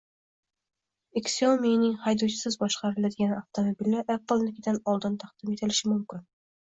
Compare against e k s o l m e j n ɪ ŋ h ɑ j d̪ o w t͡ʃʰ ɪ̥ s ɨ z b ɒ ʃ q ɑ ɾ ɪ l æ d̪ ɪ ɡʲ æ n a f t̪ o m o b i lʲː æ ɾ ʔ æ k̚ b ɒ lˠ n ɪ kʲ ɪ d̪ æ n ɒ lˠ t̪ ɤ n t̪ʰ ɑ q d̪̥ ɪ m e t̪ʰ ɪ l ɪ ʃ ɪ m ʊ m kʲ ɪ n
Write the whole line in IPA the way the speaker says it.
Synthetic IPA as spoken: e k s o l m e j n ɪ ŋ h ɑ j d̪ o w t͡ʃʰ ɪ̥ s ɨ z b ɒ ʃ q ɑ ɾ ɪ l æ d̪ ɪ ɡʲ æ n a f t̪ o m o b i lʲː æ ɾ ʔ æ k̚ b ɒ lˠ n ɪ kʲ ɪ d̪ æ n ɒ lˠ d̪ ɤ n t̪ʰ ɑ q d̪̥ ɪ m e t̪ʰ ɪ l ɪ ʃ ɪ m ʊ m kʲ ɪ n